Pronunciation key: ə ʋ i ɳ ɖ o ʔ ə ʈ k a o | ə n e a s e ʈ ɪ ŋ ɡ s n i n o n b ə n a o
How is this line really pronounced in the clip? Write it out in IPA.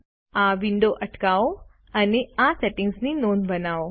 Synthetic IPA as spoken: a ʋ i ɳ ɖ o ʔ ə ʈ k a o | ə n e a s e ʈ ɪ ŋ ɡ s n i n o n b ə n a o